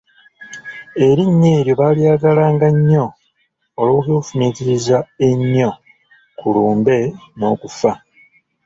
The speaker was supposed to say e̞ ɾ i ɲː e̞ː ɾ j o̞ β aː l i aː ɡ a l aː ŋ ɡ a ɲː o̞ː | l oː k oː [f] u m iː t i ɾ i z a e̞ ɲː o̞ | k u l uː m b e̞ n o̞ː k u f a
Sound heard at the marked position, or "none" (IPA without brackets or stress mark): f